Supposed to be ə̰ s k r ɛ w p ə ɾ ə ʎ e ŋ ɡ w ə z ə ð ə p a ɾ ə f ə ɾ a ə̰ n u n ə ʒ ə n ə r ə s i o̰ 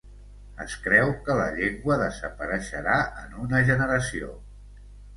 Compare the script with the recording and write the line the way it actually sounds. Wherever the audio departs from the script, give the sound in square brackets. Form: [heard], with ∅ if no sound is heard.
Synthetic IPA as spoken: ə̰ s k [ɾ] ɛ w [k] ə [l] ə ʎ e ŋ ɡ w ə [ð] ə [z] ə p [ə] ɾ ə [ʃ] ə ɾ a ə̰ n u n ə ʒ ə n ə [ɾ] ə s i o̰